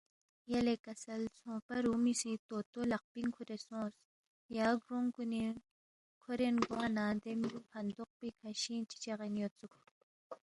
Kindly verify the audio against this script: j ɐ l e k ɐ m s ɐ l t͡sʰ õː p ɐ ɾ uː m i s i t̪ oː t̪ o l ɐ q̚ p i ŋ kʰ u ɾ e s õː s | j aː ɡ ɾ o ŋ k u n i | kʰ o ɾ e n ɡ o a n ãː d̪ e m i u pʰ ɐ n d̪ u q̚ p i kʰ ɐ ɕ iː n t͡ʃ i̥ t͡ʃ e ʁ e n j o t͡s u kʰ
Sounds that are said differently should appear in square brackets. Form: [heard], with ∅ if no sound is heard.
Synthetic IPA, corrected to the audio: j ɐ l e k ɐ [∅] s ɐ l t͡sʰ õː p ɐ ɾ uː m i s i t̪ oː t̪ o l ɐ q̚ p i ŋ kʰ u ɾ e s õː s | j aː ɡ ɾ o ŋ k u n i | kʰ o ɾ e n ɡ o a n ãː d̪ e m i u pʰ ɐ n d̪ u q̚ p i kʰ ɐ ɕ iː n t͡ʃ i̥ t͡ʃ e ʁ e n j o t͡s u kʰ